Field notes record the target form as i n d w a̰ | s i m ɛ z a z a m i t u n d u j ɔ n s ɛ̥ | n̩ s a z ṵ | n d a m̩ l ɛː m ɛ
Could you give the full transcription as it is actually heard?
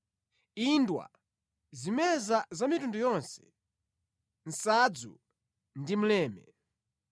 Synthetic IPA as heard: i n d w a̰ | z i m ɛ z a z a m i t u n d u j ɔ n s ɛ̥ | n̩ s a d͡z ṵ | n d i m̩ l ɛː m ɛ